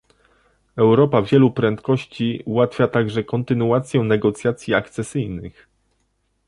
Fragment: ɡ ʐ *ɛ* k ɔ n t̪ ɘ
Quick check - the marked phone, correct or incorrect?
correct